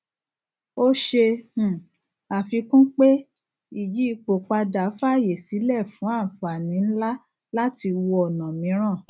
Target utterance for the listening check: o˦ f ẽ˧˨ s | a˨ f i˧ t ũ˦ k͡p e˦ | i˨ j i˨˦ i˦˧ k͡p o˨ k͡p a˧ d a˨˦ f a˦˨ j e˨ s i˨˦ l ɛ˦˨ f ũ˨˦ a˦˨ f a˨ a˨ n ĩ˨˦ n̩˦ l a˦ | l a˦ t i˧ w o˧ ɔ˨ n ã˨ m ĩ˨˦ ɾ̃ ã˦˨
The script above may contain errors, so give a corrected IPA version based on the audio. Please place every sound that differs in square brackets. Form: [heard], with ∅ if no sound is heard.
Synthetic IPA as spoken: o˦ [ʃ] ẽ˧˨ [∅] | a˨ f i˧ [k] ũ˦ k͡p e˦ | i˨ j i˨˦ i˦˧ k͡p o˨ k͡p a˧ d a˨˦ f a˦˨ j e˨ s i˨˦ l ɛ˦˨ f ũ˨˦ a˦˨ f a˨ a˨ n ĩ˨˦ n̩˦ l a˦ | l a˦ t i˧ w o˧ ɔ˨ n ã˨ m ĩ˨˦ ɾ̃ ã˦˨